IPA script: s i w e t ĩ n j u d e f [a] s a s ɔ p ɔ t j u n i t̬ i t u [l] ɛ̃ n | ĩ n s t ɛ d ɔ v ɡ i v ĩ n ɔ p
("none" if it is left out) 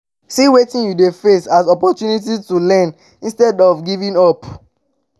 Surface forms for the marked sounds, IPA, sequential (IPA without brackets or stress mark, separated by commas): e, l